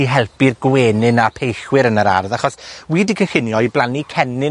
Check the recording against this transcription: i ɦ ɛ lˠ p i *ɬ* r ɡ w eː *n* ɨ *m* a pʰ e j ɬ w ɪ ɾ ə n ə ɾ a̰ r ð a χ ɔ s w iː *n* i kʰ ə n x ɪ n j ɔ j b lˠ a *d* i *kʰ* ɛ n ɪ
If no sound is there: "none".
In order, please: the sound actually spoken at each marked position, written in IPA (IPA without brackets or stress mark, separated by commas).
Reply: none, n, n, d, n, kʰ